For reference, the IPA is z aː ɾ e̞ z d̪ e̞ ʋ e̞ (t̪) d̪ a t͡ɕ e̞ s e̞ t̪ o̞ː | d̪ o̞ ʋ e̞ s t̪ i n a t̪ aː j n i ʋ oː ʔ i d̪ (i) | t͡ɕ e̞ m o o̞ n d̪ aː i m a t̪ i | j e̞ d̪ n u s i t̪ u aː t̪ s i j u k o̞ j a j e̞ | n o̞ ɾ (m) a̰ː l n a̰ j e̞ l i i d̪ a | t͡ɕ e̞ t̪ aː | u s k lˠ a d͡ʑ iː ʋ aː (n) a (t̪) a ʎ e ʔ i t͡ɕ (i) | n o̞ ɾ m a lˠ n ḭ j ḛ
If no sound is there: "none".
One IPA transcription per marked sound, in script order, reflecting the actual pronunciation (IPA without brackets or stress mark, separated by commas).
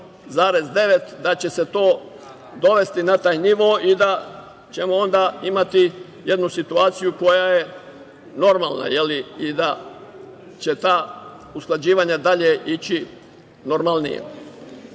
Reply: t̪, a, m, ɲ, d̪, i